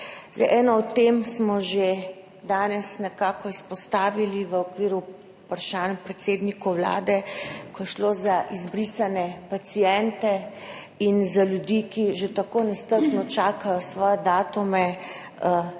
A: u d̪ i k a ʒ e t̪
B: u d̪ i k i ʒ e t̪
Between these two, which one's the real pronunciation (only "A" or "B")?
B